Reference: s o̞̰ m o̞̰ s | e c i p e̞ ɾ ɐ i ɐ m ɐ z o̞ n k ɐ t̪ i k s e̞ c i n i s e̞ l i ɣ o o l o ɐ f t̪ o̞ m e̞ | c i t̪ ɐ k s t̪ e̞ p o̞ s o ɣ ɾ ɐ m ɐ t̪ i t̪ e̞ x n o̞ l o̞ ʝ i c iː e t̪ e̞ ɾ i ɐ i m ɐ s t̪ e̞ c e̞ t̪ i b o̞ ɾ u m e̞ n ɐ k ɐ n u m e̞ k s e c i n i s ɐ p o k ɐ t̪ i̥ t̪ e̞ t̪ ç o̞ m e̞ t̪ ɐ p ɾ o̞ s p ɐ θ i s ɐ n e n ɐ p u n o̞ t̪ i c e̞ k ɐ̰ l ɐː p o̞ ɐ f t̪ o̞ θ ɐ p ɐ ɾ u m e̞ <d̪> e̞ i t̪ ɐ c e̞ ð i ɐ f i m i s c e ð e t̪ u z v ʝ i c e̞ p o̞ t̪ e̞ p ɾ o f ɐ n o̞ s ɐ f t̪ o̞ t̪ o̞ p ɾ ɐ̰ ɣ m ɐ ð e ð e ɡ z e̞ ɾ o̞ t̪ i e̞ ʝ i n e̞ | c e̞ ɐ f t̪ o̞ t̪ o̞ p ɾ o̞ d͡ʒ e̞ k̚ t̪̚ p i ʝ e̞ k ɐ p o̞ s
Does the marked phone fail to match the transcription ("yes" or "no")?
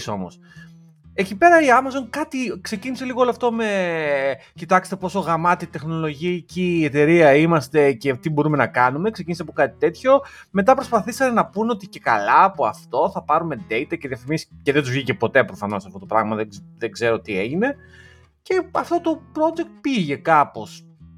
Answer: no